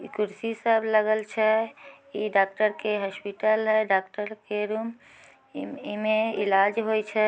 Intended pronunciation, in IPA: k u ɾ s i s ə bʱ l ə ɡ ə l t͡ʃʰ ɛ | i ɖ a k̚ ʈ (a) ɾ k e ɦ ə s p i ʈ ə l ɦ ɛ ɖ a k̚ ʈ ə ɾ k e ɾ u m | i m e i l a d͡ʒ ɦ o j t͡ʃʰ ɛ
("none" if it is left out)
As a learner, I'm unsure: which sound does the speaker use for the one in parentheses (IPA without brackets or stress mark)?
ə